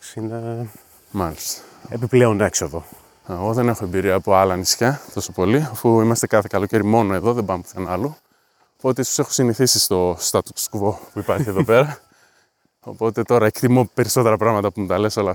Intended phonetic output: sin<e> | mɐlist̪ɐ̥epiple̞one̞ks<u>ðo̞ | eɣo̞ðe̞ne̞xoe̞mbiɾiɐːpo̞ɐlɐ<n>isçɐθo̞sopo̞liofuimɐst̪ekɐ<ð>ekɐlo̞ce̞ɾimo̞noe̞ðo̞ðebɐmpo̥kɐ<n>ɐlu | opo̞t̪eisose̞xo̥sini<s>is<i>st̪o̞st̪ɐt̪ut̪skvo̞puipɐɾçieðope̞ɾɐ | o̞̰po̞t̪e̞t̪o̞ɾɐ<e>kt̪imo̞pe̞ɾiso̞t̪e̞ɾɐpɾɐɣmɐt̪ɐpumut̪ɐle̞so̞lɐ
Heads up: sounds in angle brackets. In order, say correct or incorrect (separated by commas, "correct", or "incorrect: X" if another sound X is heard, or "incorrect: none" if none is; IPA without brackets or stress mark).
correct, incorrect: o, correct, incorrect: θ, correct, incorrect: θ, correct, correct